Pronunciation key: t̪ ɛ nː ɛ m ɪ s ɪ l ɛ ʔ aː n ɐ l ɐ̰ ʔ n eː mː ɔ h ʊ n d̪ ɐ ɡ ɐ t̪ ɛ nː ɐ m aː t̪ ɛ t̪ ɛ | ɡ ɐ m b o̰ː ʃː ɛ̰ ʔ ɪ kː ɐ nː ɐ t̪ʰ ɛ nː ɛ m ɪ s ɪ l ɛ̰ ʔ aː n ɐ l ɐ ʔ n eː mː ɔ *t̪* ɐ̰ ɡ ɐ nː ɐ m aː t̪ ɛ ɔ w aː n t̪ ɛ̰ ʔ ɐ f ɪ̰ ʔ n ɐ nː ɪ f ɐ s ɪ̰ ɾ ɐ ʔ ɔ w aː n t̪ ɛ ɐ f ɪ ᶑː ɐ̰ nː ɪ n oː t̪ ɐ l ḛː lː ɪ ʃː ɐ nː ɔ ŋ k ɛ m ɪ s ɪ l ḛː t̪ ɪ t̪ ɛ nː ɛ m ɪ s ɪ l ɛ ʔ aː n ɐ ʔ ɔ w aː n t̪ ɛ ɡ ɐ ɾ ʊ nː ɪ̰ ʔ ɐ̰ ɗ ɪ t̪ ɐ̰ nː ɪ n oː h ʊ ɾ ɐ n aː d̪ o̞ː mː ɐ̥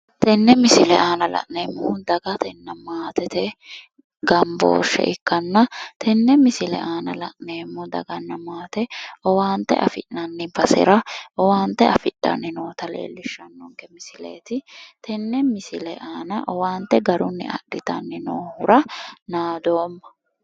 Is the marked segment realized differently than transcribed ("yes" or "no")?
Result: yes